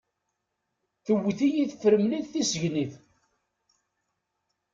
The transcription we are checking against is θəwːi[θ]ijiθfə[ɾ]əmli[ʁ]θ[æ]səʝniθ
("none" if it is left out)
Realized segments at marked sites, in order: θ, ɾ, ð, i

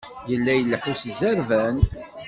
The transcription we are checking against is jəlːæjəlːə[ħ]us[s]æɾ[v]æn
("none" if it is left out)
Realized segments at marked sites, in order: ħ, z, v

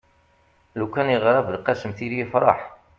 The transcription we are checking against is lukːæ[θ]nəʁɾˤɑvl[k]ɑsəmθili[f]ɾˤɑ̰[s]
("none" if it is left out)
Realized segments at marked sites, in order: none, q, f, ħ

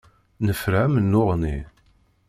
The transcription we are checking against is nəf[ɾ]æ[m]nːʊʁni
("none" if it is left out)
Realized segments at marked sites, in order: ɾ, m

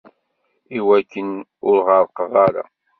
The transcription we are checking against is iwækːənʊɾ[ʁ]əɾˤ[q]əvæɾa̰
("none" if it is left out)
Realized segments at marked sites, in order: ʁ, q

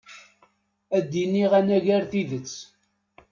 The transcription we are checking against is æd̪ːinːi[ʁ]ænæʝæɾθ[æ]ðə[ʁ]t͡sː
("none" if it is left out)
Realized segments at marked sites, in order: ʁ, i, none

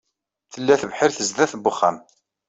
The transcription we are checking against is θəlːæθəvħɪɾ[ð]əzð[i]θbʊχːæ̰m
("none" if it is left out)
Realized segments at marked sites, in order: θ, æ

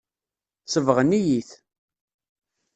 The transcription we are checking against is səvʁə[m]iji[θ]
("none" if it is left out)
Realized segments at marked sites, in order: n, θ

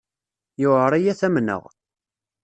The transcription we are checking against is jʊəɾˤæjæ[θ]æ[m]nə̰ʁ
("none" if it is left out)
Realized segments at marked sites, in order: θ, m

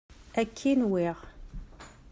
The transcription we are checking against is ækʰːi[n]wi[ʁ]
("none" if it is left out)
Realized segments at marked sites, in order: n, ʁ

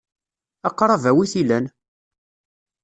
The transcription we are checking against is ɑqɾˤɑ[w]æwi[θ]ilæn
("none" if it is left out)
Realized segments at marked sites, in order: v, θ

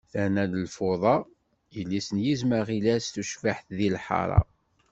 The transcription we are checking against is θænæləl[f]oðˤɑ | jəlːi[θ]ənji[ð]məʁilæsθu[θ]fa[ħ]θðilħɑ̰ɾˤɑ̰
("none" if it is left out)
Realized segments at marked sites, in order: f, s, z, ʃ, ħ

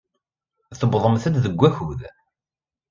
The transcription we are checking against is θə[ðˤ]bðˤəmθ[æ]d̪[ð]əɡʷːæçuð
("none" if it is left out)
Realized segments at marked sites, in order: none, æ, ð

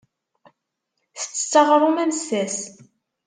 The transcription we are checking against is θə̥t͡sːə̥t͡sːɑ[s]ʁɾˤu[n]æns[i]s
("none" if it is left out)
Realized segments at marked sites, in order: none, m, æ

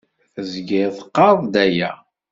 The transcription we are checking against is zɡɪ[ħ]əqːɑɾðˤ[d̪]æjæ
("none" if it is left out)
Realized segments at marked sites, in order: θ, d̪

